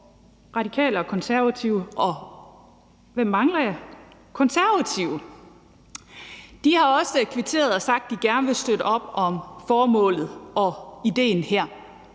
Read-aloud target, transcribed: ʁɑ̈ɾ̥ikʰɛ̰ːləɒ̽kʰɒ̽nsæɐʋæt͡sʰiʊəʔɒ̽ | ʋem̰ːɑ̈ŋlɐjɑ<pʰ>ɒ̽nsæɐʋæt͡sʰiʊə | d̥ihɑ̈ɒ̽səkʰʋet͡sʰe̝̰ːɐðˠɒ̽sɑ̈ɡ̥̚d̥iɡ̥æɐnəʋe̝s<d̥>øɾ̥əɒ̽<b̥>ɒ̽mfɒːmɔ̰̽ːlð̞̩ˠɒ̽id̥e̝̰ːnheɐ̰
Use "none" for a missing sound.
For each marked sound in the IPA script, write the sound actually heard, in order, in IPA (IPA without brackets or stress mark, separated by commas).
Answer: kʰ, d̥, b̥